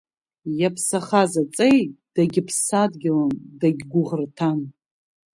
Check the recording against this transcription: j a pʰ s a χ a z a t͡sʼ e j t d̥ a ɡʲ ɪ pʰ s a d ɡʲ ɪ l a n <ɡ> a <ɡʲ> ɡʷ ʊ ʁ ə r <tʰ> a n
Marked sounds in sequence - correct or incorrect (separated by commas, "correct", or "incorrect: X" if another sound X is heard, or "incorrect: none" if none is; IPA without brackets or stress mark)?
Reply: incorrect: d, correct, correct